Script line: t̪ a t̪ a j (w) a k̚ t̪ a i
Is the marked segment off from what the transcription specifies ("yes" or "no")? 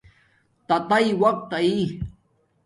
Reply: no